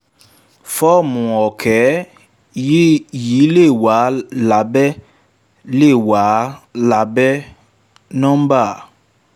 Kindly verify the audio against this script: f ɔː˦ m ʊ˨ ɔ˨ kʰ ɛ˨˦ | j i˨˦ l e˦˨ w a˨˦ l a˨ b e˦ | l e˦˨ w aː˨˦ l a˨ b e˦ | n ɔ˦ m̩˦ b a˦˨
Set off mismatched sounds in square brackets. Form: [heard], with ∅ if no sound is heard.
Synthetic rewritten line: f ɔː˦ m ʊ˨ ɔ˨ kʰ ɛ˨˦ | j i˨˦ l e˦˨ w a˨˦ l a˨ b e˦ | l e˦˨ w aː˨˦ l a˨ b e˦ | n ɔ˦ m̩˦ b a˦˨